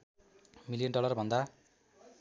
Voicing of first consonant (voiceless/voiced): voiced